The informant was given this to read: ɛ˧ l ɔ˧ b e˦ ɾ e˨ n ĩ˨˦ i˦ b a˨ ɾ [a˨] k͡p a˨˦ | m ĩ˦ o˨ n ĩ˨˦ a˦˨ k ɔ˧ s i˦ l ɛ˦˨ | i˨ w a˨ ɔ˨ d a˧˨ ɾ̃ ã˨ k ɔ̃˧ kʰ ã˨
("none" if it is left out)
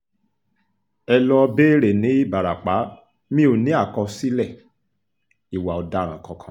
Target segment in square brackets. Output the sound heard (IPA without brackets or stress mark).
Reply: a˨